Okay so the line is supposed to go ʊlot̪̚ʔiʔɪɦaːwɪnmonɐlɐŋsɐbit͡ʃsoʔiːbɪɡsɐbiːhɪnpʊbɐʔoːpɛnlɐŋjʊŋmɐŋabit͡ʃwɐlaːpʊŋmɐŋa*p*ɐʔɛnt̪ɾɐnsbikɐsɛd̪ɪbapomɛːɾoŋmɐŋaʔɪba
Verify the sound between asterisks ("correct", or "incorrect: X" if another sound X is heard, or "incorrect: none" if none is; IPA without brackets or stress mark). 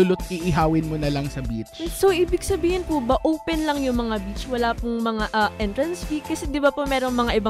incorrect: ʔ